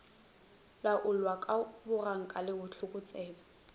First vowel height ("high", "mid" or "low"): low